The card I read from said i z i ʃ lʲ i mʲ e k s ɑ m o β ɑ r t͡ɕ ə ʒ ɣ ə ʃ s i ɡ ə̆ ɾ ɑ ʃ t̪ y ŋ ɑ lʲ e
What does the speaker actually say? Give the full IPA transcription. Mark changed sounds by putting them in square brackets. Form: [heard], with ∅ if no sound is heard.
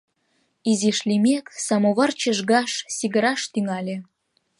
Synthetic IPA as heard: i z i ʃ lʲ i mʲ e k s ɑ m o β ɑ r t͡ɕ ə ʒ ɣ [ɑ] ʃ s i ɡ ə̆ ɾ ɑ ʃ t̪ y ŋ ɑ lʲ e